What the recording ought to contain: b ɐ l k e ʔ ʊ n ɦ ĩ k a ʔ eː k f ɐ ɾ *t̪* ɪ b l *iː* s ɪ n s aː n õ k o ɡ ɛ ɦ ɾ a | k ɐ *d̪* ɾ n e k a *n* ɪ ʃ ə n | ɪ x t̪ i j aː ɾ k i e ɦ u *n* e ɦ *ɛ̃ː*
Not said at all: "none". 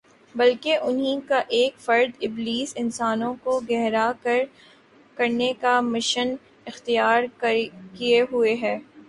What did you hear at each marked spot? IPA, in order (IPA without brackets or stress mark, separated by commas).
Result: d̪, iː, none, m, none, ɛː